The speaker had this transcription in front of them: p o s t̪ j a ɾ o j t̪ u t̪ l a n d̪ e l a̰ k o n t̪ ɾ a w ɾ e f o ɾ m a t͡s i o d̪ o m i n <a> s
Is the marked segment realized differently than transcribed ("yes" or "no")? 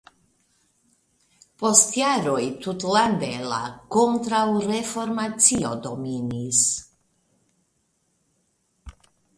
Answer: yes